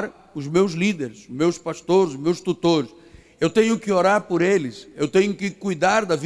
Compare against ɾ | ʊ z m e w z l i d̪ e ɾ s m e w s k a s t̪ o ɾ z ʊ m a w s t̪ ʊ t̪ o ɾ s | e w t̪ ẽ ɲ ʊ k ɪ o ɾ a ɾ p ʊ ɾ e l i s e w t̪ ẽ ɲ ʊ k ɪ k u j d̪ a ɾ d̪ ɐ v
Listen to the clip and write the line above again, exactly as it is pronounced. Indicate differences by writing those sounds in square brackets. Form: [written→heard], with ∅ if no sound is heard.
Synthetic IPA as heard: ɾ | ʊ z m e w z l i d̪ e ɾ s m e w s [k→p] a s t̪ o ɾ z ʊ m [a→e] w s t̪ [ʊ→u] t̪ o ɾ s | e w t̪ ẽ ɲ ʊ k ɪ o ɾ a ɾ p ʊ ɾ e l [i→ɪ] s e w t̪ ẽ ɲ ʊ k ɪ k u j d̪ a ɾ d̪ ɐ v